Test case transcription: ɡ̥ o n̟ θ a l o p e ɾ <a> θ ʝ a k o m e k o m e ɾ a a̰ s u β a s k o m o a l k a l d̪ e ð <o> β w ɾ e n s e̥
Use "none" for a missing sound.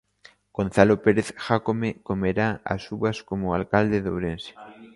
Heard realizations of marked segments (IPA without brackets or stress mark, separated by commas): e, o